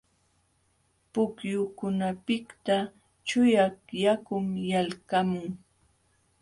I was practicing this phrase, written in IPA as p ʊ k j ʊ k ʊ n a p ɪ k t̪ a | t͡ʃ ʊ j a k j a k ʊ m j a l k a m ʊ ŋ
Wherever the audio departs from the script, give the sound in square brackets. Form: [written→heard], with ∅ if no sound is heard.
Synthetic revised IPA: p ʊ k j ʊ k ʊ n a p ɪ k t̪ a | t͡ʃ ʊ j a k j a k ʊ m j a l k a m ʊ ŋ